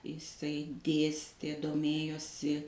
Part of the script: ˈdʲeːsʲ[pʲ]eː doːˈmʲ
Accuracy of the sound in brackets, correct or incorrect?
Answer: incorrect: tʲ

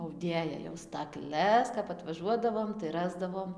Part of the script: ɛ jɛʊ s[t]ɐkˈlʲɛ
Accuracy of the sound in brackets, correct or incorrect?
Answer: correct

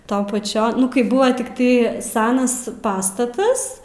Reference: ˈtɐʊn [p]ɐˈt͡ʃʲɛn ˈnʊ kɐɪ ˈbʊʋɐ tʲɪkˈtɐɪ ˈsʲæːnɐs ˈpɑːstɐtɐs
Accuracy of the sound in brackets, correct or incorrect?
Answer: correct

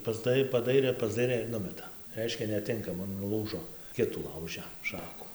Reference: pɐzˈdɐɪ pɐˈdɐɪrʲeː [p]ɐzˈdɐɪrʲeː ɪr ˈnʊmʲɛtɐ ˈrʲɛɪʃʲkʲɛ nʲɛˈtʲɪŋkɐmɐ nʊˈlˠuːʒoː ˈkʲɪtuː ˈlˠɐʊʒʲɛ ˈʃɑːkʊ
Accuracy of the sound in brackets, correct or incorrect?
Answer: correct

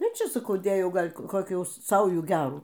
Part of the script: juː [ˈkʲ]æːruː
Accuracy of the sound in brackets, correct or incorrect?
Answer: incorrect: ɡʲ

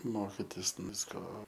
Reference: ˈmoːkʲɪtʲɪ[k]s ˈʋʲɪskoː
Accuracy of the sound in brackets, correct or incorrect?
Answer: incorrect: none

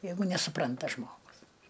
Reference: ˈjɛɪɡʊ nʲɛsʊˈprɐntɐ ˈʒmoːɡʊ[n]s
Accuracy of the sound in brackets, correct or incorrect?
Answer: incorrect: none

